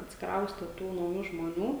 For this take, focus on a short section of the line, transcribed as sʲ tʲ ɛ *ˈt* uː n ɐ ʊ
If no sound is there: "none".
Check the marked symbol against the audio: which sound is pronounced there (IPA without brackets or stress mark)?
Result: t